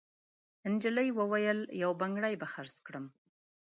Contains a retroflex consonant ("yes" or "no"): yes